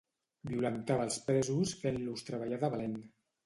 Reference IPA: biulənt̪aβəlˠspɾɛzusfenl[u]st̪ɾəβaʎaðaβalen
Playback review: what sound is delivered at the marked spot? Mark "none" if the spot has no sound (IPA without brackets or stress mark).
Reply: u